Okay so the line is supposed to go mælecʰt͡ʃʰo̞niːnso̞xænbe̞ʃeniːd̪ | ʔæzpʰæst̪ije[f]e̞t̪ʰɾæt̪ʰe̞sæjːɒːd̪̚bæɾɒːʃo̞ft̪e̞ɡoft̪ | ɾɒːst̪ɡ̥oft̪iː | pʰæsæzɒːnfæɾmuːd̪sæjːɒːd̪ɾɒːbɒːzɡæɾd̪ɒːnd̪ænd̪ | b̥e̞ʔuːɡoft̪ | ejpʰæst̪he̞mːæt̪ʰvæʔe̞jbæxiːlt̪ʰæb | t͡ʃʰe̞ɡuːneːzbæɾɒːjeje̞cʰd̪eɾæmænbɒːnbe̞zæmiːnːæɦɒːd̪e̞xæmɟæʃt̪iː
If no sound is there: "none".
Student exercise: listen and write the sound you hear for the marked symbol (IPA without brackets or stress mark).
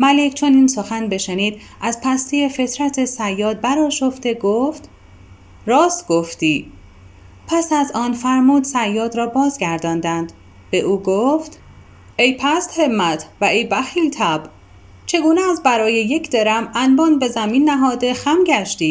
f